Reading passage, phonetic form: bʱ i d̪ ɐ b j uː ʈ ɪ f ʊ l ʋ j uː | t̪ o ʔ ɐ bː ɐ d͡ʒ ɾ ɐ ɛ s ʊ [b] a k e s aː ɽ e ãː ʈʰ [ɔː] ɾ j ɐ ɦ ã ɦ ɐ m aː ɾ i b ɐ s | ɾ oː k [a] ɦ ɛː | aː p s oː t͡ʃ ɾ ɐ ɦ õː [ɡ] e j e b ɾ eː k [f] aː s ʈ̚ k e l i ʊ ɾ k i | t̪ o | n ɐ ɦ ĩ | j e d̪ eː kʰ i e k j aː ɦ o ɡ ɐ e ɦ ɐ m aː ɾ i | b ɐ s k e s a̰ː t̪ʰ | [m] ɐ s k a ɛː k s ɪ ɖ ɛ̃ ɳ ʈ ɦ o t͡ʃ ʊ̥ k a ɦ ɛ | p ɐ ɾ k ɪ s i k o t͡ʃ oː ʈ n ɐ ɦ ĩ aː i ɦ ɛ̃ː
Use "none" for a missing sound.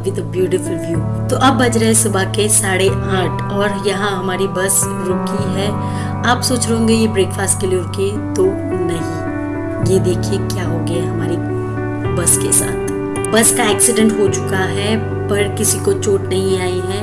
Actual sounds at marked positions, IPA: b, ɔː, i, ɡ, f, b

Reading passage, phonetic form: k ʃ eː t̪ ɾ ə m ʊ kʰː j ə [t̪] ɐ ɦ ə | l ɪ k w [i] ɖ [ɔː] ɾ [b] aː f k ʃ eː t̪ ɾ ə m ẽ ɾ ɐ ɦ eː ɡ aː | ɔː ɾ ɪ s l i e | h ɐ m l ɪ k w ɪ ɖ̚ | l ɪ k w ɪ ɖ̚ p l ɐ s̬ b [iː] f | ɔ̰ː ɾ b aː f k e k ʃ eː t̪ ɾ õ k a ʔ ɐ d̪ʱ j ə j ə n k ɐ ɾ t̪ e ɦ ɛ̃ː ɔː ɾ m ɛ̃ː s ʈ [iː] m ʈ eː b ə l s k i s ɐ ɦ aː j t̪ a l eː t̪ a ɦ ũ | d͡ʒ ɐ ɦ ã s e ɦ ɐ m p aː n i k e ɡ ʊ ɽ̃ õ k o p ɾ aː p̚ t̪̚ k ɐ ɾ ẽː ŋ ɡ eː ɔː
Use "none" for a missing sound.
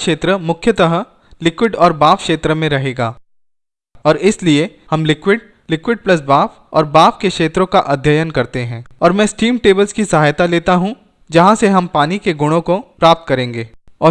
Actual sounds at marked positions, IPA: t̪, ɪ, ɔː, b, aː, iː

